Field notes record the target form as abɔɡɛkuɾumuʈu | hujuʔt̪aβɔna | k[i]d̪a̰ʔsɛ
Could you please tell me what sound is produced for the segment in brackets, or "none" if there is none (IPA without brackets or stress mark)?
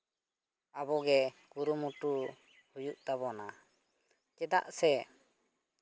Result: ɛ